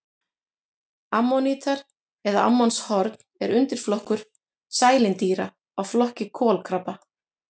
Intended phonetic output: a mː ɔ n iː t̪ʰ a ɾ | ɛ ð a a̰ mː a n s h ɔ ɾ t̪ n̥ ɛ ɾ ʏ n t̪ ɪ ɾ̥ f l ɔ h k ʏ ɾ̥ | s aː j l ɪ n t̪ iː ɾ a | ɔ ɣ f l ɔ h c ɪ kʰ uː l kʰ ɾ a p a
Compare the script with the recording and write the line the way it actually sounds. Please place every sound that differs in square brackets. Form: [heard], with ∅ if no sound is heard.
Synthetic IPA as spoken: a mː ɔ n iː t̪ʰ a ɾ | ɛ ð a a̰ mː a n s h ɔ ɾ t̪ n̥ ɛ ɾ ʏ n t̪ ɪ ɾ̥ f l ɔ h k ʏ ɾ̥ | s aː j l ɪ n t̪ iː ɾ a | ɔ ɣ f l ɔ h c ɪ kʰ [ɔː] l kʰ ɾ a p a